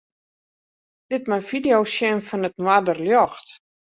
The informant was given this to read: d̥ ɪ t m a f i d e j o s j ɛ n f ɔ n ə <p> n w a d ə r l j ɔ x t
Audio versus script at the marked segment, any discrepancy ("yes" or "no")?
yes